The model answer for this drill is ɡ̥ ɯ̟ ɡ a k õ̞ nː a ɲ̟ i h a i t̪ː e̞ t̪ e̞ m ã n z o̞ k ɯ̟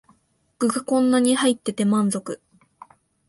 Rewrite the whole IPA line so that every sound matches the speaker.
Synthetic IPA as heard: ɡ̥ ɯ̟ ɡ a k õ̞ nː a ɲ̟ i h a i t̪ː e̞ t̪ e̞ m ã n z o̞ k ɯ̟